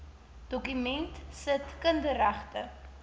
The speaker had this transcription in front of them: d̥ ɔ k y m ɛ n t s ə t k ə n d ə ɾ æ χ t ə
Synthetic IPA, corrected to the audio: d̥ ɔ k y m ɛ n t s ə t k ə n d ə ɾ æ χ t ə